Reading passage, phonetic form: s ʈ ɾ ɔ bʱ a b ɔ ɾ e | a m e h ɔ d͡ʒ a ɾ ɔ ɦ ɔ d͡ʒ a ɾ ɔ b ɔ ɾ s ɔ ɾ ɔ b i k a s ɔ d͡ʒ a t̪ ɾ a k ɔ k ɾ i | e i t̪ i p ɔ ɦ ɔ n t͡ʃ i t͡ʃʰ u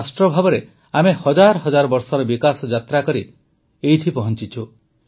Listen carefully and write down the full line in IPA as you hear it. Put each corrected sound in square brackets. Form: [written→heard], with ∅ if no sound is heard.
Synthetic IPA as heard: s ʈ ɾ ɔ bʱ a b ɔ ɾ e | a m e h ɔ d͡ʒ a ɾ ɔ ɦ ɔ d͡ʒ a ɾ ɔ b ɔ ɾ s ɔ ɾ ɔ b i k a s ɔ d͡ʒ a t̪ ɾ a k ɔ [k→∅] ɾ i | e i [t̪→t̪ʰ] i p ɔ ɦ ɔ n t͡ʃ i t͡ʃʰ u

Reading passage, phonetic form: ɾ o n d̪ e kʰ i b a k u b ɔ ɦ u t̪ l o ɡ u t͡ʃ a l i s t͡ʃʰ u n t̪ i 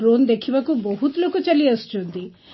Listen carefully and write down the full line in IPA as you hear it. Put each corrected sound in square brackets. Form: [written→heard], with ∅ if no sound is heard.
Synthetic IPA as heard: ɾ o n d̪ e kʰ i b a k u b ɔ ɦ u t̪ l o [ɡ→k] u t͡ʃ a l i s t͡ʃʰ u n t̪ i

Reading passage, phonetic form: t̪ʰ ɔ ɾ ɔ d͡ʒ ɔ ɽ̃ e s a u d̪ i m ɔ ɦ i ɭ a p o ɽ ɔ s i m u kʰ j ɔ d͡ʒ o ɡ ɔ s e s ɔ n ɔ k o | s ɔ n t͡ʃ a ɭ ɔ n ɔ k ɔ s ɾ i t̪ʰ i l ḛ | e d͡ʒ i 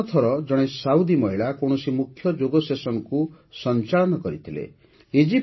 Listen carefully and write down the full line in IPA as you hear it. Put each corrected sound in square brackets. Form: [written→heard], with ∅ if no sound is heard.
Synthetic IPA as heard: t̪ʰ ɔ ɾ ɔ d͡ʒ ɔ ɽ̃ e s a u d̪ i m ɔ ɦ i ɭ a [p→k] o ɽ ɔ s i m u kʰ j ɔ d͡ʒ o ɡ ɔ s e s ɔ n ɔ k [o→u] | s ɔ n t͡ʃ a ɭ ɔ n ɔ k ɔ [s→∅] ɾ i t̪ʰ i l ḛ | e d͡ʒ i

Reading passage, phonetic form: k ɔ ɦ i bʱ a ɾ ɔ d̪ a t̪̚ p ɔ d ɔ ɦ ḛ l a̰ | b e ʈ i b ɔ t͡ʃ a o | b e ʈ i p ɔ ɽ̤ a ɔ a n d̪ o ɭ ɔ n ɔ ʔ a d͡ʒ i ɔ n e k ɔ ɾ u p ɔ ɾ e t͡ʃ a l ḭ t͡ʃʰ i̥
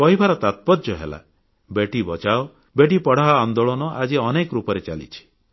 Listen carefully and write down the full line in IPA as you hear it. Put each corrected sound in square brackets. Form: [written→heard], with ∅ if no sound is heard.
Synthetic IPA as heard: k ɔ ɦ i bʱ a ɾ ɔ [d̪→t̪] a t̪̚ p ɔ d ɔ ɦ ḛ l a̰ | b e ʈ i b ɔ t͡ʃ a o | b e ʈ i p ɔ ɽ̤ a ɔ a n d̪ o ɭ ɔ n ɔ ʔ a d͡ʒ i ɔ n e k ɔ ɾ u p ɔ ɾ e t͡ʃ a l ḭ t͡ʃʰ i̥

